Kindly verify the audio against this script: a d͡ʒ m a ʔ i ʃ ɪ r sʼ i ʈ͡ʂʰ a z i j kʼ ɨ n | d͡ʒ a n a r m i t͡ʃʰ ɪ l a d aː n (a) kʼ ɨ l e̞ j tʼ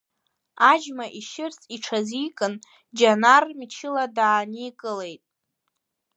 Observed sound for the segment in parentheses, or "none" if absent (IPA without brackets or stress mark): i